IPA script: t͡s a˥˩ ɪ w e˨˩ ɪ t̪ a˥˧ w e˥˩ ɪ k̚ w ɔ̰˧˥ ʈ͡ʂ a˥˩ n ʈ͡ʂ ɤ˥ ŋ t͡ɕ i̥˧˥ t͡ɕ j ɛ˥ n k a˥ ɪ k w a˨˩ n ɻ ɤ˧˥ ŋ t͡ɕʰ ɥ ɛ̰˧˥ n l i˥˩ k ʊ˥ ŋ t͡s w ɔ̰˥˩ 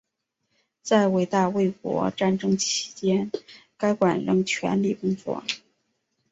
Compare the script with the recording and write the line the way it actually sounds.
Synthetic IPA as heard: t͡s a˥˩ ɪ w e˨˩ ɪ t̪ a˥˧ w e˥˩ ɪ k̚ w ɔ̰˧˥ ʈ͡ʂ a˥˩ n ʈ͡ʂ ɤ˥ ŋ t͡ɕʰ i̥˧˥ t͡ɕ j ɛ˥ n k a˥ ɪ k w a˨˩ n ɻ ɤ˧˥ ŋ t͡ɕʰ ɥ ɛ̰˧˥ n l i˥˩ k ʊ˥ ŋ t͡s w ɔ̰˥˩

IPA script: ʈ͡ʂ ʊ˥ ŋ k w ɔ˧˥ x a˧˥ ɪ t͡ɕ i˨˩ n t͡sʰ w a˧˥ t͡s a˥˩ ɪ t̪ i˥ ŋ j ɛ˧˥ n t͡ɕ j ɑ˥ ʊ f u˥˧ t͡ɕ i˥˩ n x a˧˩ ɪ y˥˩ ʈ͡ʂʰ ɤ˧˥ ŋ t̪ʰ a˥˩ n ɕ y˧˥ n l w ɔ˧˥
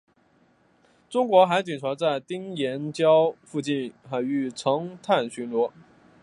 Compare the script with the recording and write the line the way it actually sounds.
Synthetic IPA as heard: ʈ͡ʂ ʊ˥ ŋ k w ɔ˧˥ x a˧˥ ɪ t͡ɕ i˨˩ n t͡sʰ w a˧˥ t͡s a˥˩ ɪ t̪ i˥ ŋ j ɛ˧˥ n t͡ɕ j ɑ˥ ʊ f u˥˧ t͡ɕ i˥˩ n x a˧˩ ɪ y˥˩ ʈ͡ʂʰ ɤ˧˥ ŋ t̪ʰ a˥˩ n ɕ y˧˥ n l w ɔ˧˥

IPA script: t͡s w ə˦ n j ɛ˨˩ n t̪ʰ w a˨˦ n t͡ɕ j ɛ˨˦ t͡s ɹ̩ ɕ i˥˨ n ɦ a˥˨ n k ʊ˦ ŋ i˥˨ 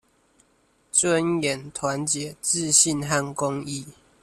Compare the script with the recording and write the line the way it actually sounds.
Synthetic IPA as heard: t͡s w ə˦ n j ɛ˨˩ n t̪ʰ w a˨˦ n t͡ɕ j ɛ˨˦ t͡s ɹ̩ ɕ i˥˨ n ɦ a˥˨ n k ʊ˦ ŋ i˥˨

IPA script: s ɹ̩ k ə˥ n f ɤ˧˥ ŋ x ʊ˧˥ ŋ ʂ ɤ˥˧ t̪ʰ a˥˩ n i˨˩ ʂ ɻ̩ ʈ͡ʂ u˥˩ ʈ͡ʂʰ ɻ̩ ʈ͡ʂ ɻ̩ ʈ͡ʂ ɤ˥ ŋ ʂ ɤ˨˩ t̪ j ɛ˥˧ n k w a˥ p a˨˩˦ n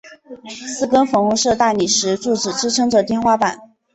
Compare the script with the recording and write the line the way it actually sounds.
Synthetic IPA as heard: s ɹ̩ k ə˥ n f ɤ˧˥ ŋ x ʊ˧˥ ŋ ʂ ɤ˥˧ t̪ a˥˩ n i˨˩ ʂ ɻ̩ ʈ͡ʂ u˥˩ ʈ͡ʂ ɻ̩ ʈ͡ʂ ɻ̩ ʈ͡ʂʰ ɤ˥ ŋ ʈ͡ʂ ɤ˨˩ t̪ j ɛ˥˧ n x w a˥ p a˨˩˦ n

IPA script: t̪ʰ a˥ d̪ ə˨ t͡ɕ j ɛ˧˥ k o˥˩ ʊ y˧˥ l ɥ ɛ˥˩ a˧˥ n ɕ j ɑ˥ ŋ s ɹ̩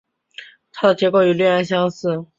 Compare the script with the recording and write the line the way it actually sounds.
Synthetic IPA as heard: t̪ʰ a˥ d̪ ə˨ t͡ɕ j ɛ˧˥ k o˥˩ ʊ y˨˩ l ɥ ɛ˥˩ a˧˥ n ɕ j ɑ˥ ŋ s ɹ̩

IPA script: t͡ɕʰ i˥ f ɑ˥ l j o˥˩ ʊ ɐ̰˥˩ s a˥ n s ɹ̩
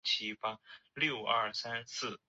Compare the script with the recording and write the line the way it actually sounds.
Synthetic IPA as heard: t͡ɕʰ i˥ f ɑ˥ l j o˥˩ ʊ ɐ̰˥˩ s a˥ n s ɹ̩

